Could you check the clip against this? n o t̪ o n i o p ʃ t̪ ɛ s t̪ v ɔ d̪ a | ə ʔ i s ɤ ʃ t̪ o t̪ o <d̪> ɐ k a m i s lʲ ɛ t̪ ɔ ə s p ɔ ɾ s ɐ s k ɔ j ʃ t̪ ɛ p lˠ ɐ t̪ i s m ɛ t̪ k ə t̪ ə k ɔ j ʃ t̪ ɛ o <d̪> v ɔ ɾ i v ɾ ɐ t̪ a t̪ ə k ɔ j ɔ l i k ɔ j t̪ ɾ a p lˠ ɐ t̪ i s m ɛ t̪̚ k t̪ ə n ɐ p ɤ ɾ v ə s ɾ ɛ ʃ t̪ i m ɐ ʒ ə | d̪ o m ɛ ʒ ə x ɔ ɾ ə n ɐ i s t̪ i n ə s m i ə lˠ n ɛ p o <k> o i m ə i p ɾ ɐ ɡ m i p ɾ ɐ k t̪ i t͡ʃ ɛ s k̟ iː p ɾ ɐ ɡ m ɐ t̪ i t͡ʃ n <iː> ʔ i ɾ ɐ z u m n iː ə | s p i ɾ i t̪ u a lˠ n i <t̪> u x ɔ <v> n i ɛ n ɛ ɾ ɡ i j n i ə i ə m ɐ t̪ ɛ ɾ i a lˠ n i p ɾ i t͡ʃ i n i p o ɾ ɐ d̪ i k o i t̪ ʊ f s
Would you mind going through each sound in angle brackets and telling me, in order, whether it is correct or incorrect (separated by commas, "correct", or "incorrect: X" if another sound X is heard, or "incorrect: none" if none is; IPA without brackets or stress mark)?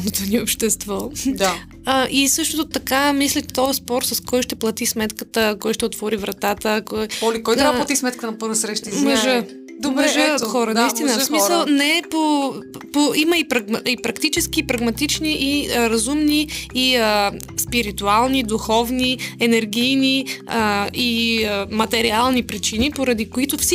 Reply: incorrect: t̪, incorrect: t̪, incorrect: p, incorrect: i, incorrect: d̪, correct